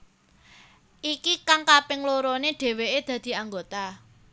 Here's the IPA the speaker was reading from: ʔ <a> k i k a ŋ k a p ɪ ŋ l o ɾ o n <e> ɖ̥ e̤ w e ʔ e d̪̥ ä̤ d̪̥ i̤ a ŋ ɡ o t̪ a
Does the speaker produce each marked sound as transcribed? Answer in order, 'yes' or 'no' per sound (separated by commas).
no, yes